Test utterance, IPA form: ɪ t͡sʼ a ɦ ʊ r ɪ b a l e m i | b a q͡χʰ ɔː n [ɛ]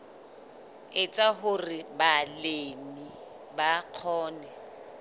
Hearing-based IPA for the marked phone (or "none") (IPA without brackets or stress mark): ɛ